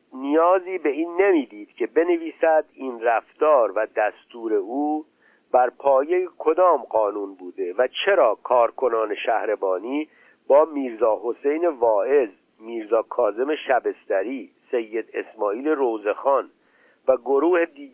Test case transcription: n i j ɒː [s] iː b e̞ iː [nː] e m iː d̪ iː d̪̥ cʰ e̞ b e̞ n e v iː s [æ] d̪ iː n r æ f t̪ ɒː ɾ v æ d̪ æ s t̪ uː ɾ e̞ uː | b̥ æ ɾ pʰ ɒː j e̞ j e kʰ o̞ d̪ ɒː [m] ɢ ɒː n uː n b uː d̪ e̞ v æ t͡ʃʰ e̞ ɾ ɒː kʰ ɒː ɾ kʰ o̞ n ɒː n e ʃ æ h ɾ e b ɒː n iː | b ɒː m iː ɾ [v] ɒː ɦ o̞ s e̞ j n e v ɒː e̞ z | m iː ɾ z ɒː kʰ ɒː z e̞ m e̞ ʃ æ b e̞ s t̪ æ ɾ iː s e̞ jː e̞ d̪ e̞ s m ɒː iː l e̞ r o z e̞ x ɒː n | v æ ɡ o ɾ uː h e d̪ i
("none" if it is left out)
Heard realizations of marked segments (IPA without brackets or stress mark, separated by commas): z, nː, æ, m, z